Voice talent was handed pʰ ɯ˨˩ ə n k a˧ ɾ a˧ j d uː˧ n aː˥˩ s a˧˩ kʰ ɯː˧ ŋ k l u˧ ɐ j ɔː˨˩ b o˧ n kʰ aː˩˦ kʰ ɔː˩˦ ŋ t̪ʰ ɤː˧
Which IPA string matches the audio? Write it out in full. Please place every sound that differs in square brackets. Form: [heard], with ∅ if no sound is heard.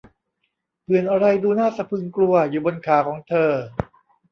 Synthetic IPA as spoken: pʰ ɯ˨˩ ə n [ʔ] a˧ ɾ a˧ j d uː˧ n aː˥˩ s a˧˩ [pʰ] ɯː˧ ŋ k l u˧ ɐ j [uː˨˩] b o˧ n kʰ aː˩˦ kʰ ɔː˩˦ ŋ t̪ʰ ɤː˧